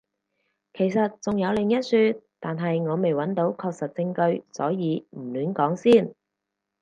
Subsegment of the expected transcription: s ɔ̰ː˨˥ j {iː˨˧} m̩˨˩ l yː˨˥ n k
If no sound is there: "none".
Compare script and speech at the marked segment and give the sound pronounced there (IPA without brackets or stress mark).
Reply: iː˨˧